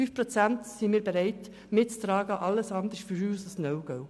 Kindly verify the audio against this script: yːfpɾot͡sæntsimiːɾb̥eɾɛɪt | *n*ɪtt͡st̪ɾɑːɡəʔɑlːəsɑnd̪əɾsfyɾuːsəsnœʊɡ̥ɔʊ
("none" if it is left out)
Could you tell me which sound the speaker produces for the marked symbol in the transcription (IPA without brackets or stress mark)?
m